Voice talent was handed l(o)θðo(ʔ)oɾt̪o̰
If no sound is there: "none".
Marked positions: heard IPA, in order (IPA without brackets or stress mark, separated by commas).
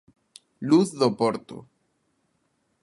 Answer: u, p